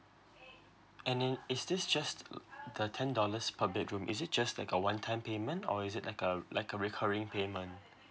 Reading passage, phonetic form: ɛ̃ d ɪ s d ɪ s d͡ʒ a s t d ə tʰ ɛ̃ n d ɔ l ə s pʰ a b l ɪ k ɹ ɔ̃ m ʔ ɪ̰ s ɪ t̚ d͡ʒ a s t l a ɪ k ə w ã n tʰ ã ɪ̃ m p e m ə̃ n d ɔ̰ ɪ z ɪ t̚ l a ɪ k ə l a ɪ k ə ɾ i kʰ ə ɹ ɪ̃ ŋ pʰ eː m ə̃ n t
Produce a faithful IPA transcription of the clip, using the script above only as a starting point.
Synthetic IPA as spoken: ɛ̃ n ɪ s d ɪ s d͡ʒ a s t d ə tʰ ɛ̃ n d ɔ l ə s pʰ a b l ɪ k ɹ ũ m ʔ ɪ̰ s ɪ t̚ d͡ʒ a s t l a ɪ k ə w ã n tʰ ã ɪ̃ m p e m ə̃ n t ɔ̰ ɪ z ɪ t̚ l a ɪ k ə l a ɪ k ə ɹ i kʰ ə ɹ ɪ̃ ŋ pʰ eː m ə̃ n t